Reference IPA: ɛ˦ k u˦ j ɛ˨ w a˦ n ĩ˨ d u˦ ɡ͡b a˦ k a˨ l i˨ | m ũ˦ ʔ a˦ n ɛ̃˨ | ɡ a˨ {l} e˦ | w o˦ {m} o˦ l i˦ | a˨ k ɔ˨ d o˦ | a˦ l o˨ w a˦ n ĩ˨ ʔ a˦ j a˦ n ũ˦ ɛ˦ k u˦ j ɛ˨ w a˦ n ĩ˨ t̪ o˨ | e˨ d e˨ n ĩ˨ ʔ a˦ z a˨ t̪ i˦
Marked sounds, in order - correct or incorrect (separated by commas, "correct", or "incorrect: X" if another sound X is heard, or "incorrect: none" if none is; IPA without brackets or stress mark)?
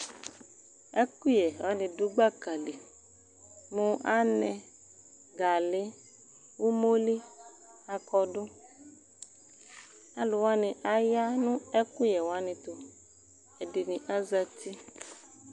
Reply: correct, correct